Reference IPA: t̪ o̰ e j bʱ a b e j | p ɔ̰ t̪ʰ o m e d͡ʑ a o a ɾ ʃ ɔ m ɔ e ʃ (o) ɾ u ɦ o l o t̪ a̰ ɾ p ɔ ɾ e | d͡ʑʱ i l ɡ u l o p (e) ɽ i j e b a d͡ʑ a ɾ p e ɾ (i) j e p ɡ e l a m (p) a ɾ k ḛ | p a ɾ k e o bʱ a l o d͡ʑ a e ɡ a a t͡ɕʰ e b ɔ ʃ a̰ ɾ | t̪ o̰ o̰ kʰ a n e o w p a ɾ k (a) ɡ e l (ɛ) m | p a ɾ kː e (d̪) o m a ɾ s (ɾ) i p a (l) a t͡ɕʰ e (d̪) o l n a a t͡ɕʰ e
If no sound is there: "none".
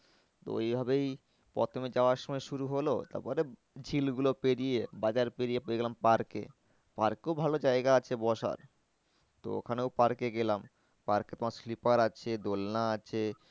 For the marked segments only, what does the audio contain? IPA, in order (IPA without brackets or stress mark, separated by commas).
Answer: u, e, i, p, e, a, t̪, l, ɾ, d̪